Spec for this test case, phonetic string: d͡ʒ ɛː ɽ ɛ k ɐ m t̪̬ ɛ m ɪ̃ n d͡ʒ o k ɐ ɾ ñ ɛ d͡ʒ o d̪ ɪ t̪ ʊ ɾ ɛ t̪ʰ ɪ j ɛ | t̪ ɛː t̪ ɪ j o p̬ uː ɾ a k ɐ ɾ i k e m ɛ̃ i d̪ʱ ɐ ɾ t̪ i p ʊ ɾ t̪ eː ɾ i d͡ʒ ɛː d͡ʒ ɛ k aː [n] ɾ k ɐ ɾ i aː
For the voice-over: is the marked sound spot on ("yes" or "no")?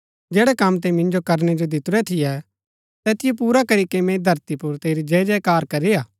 no